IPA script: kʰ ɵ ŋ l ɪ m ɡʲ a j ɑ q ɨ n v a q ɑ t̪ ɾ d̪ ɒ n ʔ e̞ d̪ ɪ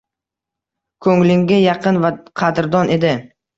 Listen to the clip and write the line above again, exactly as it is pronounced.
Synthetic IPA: kʰ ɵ ŋ l ɪ ŋ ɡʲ a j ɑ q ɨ n v a qʰ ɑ d̪ ɾ d̪ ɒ n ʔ e̞ d̪ ɪ